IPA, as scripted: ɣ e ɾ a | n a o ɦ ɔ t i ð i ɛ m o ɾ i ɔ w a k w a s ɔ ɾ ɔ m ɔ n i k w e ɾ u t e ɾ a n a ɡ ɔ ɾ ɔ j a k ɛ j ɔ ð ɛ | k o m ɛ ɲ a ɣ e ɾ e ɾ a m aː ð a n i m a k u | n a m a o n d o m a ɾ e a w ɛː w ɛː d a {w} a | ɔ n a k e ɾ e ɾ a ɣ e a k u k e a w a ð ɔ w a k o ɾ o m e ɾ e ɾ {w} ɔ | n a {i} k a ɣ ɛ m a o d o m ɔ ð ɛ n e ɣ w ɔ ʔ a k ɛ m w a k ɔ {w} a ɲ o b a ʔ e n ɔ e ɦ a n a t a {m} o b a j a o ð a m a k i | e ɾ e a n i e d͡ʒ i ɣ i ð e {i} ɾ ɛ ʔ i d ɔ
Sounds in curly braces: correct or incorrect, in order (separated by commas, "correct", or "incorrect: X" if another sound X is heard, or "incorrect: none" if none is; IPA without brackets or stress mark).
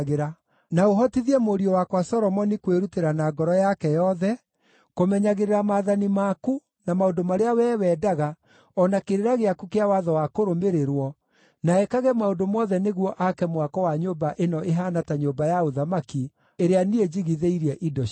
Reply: incorrect: ɣ, correct, incorrect: ɛ, correct, incorrect: ɲ, correct